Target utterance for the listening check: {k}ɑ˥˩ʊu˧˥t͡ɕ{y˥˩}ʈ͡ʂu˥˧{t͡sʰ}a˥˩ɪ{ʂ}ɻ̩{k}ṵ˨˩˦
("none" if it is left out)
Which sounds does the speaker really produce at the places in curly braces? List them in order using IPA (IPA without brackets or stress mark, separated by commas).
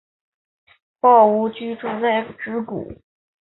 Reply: p, y˥, t͡s, ʈ͡ʂ, k